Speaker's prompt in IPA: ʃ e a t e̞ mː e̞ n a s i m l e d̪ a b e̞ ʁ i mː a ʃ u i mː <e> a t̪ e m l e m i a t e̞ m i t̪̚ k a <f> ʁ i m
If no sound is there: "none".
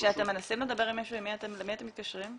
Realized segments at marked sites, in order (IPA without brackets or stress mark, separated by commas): i, ʃ